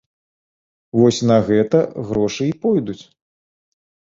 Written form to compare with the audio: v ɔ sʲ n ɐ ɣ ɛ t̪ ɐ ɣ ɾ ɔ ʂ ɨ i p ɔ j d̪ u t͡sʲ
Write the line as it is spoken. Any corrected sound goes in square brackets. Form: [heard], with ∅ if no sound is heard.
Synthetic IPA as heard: v ɔ sʲ n ɐ ɣ ɛ t̪ ɐ ɣ ɾ ɔ ʂ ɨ i p ɔ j d̪ u t͡sʲ